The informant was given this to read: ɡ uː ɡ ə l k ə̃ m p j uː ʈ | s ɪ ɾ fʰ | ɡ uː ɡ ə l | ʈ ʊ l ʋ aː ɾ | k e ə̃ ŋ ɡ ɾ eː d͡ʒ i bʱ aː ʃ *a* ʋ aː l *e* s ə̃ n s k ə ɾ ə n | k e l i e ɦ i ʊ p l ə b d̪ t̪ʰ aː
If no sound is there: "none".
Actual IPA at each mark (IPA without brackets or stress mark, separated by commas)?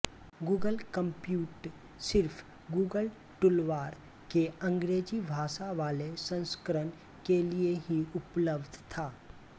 a, e